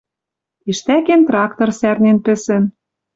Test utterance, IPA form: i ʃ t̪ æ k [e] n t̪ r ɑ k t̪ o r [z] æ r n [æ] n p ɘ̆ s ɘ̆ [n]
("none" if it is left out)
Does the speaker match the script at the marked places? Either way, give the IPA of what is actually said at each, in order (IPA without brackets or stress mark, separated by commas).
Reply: e, s, e, n